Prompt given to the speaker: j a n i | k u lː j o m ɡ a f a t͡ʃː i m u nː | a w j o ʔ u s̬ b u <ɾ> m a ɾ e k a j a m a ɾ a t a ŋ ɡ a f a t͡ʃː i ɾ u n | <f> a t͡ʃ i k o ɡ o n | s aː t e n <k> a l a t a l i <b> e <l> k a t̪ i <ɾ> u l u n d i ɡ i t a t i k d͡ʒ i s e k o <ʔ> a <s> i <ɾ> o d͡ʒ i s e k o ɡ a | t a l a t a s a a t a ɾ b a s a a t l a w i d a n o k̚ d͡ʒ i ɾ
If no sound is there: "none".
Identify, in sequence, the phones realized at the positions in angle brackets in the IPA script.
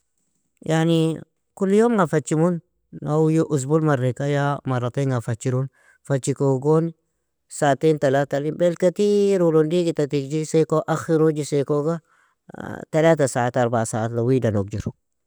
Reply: l, f, t, b, l, ɾ, ʔ, x, ɾ

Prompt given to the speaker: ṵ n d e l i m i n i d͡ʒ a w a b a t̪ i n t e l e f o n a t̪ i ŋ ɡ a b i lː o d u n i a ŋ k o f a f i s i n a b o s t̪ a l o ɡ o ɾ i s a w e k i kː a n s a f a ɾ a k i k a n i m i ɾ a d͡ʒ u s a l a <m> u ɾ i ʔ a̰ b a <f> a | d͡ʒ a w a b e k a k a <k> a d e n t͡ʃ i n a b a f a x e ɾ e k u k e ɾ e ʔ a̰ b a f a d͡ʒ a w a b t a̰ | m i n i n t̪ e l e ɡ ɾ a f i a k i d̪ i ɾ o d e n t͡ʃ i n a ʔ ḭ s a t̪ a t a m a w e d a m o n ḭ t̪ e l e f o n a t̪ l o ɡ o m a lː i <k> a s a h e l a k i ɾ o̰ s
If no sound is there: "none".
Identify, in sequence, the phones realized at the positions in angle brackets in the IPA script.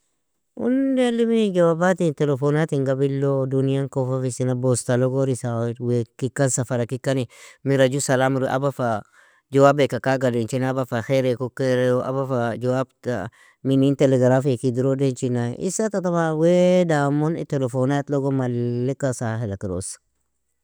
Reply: m, f, ɡ, k

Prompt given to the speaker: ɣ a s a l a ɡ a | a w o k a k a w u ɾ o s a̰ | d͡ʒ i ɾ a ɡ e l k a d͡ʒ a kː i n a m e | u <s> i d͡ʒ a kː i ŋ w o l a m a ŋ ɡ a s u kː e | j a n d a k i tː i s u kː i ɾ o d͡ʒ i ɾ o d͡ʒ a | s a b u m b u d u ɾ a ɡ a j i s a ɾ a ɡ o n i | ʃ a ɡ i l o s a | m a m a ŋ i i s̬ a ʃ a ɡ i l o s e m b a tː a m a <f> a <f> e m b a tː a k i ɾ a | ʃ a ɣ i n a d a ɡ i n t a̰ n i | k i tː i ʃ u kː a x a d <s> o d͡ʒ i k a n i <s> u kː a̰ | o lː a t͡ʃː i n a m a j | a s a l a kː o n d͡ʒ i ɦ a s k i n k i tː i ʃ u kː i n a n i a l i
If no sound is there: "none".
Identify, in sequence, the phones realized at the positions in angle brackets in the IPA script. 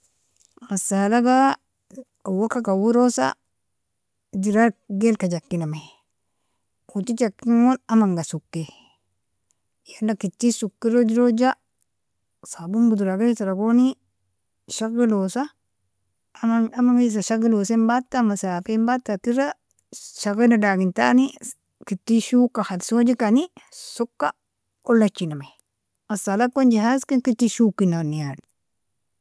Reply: t, s, f, s, s

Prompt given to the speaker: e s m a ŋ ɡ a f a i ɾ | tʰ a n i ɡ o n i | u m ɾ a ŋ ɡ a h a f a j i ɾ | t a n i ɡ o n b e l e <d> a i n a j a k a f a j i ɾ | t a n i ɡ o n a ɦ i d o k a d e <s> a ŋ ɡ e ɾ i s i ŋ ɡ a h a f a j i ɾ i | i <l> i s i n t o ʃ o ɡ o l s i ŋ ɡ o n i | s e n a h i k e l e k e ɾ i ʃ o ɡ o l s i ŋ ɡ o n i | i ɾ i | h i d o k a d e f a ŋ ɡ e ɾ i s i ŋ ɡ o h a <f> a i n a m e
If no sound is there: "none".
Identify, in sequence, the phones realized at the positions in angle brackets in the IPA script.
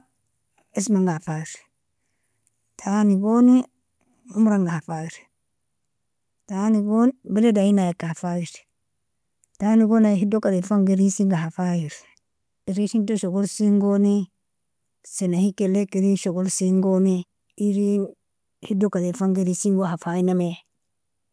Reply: d, f, ɾ, f

